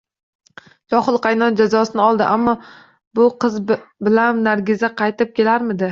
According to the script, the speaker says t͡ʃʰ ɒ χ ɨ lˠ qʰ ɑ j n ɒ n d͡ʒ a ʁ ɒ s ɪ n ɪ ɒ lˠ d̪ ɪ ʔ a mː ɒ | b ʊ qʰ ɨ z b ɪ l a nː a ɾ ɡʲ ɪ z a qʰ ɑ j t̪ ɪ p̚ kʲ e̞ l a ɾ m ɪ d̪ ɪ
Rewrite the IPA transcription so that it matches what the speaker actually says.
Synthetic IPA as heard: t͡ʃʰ ɒ χ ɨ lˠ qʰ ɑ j n ɒ n d͡ʒ a z ɒ s ɪ n ɪ ɒ lˠ d̪ ɪ ʔ a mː ɒ | b ʊ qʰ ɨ z b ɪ l a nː a ɾ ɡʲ ɪ z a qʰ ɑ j t̪ ɪ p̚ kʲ e̞ l a ɾ m ɪ d̪ ɪ